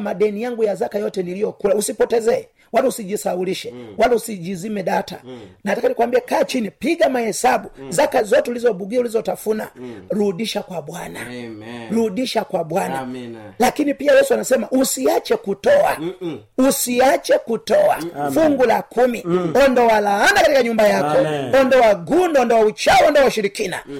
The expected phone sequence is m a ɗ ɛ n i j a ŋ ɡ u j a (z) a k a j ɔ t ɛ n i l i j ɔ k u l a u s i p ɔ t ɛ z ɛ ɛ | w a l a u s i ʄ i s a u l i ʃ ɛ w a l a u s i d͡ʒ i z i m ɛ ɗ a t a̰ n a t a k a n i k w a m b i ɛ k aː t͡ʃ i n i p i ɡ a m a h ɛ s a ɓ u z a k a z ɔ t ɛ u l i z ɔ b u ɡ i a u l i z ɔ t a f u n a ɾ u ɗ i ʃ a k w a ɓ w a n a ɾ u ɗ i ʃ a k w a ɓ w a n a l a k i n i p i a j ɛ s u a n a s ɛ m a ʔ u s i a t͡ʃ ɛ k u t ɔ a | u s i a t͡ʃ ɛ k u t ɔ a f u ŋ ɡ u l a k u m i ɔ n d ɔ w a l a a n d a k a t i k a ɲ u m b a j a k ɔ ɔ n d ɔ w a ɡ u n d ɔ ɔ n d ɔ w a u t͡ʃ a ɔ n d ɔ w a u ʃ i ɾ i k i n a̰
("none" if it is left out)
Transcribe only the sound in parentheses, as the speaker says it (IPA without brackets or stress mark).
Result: z